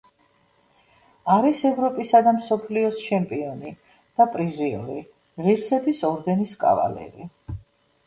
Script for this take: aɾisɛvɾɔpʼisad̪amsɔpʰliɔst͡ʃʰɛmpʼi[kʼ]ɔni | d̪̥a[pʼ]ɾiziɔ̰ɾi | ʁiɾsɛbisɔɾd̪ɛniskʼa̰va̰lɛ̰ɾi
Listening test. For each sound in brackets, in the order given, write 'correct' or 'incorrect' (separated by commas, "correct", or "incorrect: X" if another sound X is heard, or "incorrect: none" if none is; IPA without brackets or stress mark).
incorrect: none, correct